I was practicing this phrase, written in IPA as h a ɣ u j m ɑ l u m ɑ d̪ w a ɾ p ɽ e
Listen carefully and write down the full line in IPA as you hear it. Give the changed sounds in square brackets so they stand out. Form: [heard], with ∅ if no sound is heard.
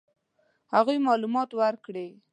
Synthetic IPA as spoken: h a ɣ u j m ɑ l u m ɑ [t̪] w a ɾ [k] ɽ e